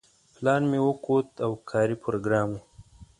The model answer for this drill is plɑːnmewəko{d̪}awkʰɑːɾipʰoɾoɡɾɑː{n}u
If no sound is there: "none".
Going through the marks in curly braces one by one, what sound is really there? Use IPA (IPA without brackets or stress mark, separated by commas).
t̪, m